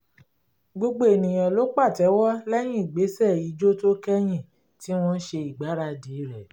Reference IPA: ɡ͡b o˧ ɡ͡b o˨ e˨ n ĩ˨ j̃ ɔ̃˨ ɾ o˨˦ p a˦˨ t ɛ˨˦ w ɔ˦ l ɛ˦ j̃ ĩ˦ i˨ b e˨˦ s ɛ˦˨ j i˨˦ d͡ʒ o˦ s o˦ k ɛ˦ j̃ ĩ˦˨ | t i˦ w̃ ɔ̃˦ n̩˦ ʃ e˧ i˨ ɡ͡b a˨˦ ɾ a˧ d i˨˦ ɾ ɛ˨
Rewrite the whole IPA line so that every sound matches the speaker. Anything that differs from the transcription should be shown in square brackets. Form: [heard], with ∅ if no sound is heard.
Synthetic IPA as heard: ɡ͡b o˧ ɡ͡b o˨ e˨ n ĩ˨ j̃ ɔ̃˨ [l] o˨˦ [k͡p] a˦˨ t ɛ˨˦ w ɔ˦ l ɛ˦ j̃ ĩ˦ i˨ [ɡ͡b] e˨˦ s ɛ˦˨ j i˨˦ d͡ʒ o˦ [t] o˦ k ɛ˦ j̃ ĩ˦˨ | t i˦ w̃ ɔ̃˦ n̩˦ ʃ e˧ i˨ ɡ͡b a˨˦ ɾ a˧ d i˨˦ ɾ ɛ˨